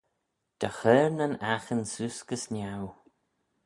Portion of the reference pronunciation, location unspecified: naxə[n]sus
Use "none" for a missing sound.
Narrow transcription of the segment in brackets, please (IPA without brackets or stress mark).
n